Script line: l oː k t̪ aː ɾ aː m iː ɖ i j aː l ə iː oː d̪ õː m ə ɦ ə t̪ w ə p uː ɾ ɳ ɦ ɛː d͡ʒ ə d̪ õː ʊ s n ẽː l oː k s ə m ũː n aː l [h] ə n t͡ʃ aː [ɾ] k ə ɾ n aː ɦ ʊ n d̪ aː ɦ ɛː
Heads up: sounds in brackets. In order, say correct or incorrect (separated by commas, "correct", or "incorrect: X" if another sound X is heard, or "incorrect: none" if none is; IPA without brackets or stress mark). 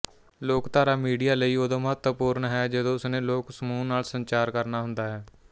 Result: incorrect: s, correct